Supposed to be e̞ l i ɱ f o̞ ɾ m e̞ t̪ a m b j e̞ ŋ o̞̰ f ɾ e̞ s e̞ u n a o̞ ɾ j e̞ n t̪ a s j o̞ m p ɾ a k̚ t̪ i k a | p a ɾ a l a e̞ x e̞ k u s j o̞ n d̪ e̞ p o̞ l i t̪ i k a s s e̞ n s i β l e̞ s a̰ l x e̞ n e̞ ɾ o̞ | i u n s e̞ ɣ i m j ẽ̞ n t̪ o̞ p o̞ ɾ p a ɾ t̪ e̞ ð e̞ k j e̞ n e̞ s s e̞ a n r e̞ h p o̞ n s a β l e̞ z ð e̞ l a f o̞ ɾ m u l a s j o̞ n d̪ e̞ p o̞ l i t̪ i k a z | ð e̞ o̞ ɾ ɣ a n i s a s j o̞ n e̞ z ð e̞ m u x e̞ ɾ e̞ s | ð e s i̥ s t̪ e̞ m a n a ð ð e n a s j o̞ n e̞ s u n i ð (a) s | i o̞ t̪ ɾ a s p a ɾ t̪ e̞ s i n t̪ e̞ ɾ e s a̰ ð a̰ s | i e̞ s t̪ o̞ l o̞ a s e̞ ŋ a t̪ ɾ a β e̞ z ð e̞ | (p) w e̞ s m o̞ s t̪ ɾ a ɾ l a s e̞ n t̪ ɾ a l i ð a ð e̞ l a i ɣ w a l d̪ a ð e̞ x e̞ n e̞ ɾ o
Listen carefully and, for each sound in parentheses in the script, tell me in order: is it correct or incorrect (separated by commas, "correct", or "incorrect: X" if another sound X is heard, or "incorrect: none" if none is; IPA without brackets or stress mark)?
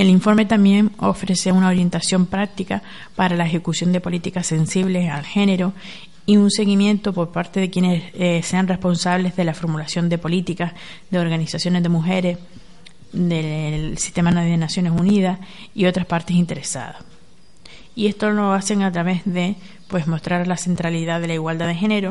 correct, correct